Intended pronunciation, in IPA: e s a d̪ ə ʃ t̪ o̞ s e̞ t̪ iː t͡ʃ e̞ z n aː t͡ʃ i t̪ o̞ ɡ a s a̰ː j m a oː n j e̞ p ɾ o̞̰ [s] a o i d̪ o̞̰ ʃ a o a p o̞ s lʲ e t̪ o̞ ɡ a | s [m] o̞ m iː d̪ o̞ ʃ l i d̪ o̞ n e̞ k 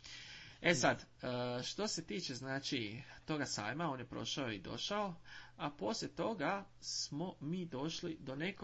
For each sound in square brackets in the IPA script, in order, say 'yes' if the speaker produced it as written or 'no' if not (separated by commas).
no, yes